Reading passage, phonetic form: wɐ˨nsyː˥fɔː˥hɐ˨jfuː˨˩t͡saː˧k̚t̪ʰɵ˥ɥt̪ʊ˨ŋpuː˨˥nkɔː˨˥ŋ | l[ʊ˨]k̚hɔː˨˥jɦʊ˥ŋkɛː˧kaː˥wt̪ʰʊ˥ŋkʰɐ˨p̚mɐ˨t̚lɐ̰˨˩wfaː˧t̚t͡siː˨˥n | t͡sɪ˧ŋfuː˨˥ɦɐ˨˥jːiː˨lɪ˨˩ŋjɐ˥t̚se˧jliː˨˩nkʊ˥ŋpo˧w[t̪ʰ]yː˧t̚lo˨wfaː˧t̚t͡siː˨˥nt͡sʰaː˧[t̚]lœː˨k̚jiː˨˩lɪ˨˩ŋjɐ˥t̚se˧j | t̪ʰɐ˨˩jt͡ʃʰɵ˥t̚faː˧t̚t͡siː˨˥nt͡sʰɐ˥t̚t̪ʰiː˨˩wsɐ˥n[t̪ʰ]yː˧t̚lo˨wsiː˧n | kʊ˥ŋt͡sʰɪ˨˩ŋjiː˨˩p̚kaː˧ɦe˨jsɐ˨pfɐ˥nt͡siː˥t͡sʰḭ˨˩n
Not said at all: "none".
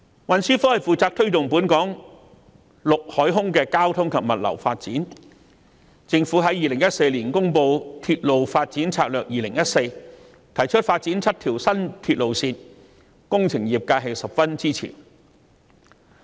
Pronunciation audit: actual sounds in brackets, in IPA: ʊ˨, t̪ʰ, k̚, t̪ʰ

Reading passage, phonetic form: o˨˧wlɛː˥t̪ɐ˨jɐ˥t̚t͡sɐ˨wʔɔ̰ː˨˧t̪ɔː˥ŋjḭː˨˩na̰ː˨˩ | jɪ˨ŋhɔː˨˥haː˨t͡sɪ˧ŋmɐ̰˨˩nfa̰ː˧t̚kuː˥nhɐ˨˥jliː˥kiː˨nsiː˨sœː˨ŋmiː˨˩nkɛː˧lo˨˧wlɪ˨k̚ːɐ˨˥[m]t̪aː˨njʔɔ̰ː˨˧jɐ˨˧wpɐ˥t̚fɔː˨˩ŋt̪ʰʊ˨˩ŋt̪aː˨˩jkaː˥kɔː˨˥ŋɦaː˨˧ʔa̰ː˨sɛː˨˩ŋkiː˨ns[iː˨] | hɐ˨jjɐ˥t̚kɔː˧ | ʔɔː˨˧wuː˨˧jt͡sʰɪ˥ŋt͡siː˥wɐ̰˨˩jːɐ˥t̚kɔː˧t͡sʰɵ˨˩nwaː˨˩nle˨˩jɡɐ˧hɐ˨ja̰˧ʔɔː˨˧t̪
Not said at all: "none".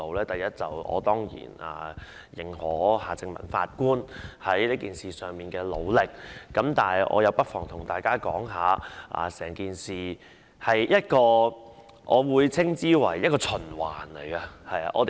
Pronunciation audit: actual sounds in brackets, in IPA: m, iː˨

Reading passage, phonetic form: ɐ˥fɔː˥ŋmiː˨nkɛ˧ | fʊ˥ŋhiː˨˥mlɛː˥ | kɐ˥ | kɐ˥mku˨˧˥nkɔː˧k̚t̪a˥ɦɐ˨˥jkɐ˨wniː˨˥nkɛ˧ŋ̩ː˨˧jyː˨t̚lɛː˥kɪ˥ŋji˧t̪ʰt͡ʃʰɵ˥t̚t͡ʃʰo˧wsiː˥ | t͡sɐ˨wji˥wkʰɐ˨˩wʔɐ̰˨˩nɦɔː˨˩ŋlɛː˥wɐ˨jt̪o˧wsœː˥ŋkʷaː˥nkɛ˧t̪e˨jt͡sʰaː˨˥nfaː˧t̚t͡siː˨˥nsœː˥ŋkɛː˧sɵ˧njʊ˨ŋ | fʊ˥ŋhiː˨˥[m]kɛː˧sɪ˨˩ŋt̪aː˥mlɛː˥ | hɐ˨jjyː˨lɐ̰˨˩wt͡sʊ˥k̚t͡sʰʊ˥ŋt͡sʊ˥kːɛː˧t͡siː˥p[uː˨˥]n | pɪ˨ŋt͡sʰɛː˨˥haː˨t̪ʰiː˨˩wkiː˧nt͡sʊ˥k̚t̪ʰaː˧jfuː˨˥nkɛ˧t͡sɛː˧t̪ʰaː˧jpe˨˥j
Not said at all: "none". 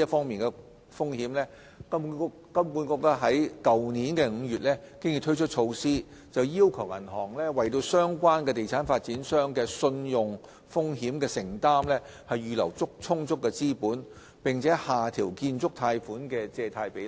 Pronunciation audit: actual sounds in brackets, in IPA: m, uː˨˥

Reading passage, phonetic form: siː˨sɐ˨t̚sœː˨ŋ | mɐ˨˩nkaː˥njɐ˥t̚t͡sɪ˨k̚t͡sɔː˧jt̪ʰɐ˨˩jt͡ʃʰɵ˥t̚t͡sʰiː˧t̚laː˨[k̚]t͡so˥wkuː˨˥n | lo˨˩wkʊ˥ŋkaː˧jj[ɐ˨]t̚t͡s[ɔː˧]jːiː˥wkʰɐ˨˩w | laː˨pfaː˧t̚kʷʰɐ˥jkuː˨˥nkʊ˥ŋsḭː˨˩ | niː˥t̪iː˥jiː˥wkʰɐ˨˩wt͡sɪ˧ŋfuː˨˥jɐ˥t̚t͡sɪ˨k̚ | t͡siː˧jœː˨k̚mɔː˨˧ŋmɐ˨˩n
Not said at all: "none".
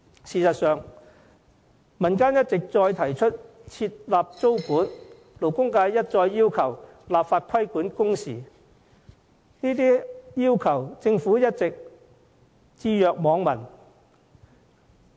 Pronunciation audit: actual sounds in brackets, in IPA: p̚, ɐ˥, ɔː˧

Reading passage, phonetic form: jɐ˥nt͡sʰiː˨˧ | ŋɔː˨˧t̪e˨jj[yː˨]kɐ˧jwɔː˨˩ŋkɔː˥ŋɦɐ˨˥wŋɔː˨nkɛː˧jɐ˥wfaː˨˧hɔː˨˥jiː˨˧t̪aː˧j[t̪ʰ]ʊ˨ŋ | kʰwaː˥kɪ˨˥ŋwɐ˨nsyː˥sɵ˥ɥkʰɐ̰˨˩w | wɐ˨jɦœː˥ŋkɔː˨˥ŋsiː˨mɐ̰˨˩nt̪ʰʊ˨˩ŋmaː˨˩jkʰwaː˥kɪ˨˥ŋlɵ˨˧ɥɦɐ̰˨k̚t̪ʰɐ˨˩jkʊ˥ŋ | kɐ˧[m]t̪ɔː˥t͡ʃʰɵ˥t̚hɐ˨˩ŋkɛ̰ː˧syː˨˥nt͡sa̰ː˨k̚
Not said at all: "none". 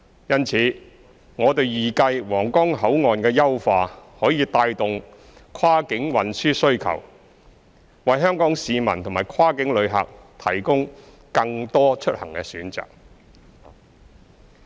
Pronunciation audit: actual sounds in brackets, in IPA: iː˨, t̪, ŋ

